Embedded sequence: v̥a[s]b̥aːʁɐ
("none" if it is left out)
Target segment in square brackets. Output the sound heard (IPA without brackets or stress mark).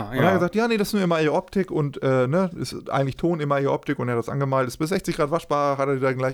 ʃ